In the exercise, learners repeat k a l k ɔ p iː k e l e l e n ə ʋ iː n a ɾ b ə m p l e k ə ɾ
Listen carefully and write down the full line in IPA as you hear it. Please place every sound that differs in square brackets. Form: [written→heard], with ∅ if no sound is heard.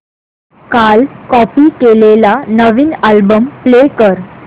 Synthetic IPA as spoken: k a l k ɔ p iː k e l e l [e→a] n ə ʋ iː n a [ɾ→l] b ə m p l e k ə ɾ